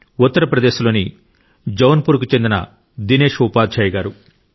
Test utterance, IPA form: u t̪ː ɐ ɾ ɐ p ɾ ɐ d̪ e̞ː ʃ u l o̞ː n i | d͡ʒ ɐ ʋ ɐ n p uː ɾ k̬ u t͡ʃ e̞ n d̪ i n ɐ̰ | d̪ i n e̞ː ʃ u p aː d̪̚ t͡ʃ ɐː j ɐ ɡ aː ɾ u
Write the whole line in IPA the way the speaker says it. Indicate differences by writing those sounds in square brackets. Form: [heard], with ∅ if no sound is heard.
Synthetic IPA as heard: u t̪ː ɐ ɾ ɐ p ɾ ɐ d̪ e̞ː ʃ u l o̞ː n i | d͡ʒ ɐ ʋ ɐ n p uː ɾ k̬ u t͡ʃ e̞ n d̪ i n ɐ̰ | d̪ i n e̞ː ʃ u p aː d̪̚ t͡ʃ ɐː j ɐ ɡ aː ɾ u